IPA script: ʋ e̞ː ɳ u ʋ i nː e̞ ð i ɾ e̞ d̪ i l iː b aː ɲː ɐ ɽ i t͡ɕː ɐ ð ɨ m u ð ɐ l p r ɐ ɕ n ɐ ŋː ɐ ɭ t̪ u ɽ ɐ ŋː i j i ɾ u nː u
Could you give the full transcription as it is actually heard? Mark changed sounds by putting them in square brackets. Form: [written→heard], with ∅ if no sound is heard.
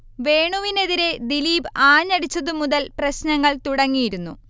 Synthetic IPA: ʋ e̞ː ɳ u ʋ i [nː→n] e̞ ð i ɾ e̞ d̪ i l iː b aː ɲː ɐ ɽ i t͡ɕː ɐ ð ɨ m u ð ɐ l p r ɐ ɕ n ɐ ŋː ɐ ɭ t̪ u ɽ ɐ ŋː i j i ɾ u nː u